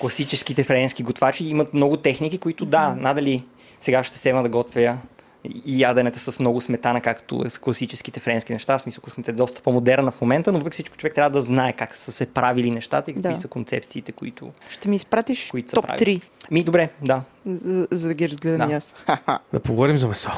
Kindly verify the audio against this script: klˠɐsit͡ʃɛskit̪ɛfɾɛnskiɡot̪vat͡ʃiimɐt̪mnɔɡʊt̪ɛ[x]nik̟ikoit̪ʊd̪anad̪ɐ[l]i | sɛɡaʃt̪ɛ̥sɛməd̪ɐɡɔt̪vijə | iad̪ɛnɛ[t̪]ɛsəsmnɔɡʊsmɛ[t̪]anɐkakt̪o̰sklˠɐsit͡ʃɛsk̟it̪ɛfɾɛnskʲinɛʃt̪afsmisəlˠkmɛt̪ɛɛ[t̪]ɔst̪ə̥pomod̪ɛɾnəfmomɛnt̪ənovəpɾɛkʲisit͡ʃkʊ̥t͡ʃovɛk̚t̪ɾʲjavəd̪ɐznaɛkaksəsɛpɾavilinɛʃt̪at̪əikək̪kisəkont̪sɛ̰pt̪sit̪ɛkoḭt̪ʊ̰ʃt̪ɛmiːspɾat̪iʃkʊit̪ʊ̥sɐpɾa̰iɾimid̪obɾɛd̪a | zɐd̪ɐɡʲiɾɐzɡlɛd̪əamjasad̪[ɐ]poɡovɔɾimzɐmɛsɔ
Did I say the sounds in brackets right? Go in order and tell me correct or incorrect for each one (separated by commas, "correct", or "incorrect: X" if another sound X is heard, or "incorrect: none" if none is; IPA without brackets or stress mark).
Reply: correct, correct, correct, correct, incorrect: d̪, correct